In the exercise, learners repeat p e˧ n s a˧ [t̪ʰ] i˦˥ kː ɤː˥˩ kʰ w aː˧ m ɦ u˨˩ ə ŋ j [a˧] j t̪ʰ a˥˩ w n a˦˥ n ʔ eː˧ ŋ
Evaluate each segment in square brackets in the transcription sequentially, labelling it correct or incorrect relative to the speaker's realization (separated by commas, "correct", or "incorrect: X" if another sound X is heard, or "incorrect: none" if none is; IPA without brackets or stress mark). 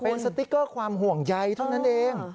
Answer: incorrect: t̪, correct